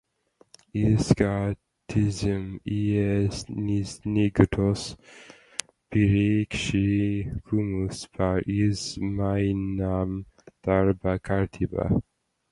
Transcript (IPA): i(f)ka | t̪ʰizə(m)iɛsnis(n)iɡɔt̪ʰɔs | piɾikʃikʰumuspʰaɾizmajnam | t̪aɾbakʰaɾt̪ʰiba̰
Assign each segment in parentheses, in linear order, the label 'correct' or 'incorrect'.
incorrect: s, correct, correct

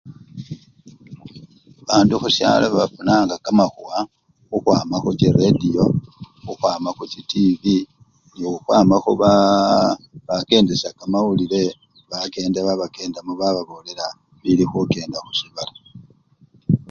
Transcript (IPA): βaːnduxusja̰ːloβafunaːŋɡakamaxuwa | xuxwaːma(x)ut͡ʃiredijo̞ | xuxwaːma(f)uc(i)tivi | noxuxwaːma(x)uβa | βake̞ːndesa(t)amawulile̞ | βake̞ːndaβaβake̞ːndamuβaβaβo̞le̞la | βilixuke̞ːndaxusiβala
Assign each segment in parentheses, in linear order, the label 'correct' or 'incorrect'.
correct, incorrect: x, correct, correct, incorrect: k

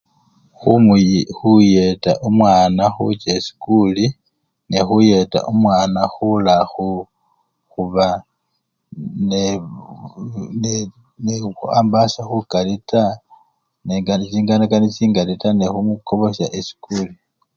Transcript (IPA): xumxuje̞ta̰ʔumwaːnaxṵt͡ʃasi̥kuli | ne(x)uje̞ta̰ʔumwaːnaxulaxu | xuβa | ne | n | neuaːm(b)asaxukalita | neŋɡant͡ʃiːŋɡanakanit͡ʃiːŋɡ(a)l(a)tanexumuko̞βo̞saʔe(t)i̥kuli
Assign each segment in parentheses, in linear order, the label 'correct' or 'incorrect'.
correct, correct, correct, incorrect: i, incorrect: s

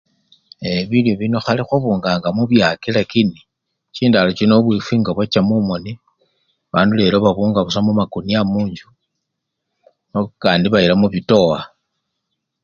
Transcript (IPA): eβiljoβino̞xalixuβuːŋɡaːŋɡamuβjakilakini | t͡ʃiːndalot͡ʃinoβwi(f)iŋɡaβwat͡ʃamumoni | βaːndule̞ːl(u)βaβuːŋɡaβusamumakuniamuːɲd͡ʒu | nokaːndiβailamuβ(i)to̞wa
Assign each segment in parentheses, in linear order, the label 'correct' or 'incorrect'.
correct, incorrect: o, correct

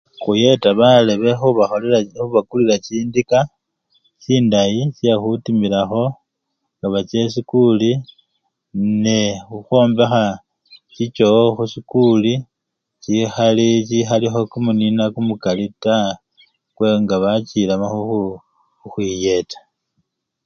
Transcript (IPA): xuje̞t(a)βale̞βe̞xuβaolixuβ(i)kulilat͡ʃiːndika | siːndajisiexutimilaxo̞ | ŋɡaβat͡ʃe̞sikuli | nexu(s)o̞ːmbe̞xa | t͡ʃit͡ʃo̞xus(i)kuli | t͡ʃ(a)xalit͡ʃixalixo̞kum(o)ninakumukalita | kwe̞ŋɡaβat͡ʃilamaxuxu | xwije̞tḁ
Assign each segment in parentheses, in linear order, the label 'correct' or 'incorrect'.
correct, incorrect: a, incorrect: x, correct, incorrect: i, incorrect: u

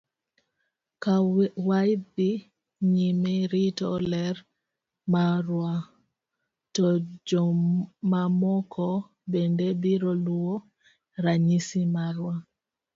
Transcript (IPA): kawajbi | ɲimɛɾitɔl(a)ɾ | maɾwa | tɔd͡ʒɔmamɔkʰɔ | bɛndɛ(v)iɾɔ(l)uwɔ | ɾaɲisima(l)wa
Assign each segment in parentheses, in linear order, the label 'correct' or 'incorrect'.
incorrect: ɛ, incorrect: b, correct, incorrect: ɾ

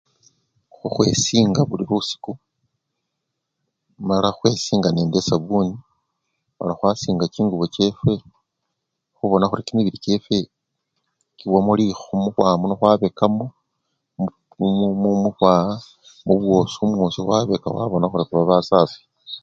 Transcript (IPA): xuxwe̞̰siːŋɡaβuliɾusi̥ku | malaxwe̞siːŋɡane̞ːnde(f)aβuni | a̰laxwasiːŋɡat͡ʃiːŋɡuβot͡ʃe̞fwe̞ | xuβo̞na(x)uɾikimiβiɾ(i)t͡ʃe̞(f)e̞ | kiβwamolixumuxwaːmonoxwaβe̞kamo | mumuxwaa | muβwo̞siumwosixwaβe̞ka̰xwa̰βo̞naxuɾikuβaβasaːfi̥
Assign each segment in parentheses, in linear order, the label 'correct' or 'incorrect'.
incorrect: s, correct, correct, correct

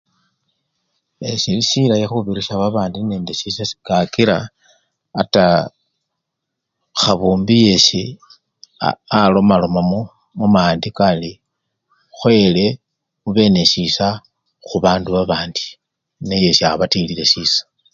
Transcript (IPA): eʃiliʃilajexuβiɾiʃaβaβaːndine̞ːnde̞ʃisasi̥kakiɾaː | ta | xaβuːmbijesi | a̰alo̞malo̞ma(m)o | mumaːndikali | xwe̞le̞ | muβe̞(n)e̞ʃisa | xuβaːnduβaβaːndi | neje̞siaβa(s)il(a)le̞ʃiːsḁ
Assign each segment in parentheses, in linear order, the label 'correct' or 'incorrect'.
correct, correct, incorrect: t, incorrect: i

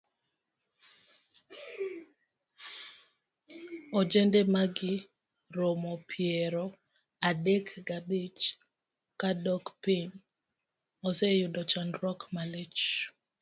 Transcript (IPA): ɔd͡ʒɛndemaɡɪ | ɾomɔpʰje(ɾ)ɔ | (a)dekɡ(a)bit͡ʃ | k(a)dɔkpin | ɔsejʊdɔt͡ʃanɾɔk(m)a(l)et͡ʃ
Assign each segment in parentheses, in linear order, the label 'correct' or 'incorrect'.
correct, correct, correct, correct, correct, correct

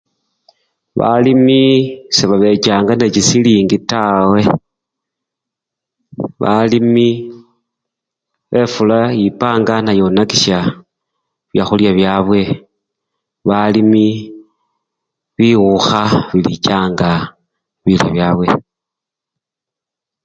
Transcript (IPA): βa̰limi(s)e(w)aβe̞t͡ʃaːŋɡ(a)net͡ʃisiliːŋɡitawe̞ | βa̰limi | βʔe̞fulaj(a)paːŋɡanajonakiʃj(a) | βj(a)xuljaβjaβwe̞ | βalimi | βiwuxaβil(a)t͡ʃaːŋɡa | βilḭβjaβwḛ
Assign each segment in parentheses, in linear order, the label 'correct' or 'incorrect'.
correct, incorrect: β, correct, incorrect: i, correct, correct, incorrect: i

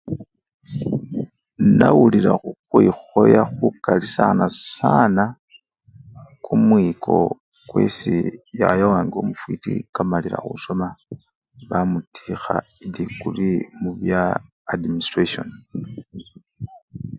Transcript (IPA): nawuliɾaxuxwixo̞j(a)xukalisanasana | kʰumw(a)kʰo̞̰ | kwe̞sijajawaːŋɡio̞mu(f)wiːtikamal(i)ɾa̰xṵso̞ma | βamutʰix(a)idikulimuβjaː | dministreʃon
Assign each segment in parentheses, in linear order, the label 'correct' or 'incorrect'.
correct, incorrect: i, correct, correct, correct

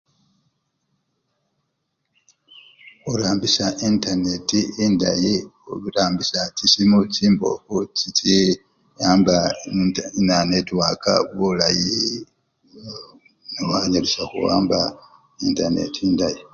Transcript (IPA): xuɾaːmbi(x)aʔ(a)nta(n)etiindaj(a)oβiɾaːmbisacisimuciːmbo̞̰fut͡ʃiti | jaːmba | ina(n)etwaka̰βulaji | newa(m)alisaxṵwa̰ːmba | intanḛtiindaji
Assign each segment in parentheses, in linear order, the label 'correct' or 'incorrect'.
incorrect: s, incorrect: i, correct, incorrect: i, correct, incorrect: ɲ

